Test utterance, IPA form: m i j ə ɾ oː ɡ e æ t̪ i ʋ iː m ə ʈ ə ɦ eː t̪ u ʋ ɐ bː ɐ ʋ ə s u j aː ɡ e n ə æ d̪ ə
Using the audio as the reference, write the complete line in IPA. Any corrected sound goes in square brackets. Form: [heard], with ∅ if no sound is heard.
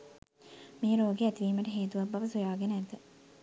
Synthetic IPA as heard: m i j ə ɾ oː ɡ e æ t̪ i ʋ iː m ə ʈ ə ɦ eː t̪ u ʋ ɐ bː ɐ ʋ ə s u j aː ɡ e n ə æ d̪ ə